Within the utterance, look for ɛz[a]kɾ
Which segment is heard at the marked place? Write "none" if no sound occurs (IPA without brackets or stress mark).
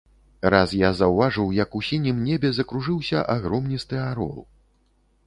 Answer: ɐ